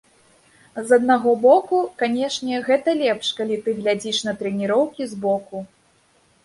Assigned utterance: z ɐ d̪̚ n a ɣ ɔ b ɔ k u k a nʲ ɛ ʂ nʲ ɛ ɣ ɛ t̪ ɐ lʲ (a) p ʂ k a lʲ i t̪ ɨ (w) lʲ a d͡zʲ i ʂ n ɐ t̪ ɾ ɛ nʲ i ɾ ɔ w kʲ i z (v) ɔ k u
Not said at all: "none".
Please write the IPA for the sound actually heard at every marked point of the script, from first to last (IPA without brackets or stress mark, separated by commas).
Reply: ɛ, ɣ, b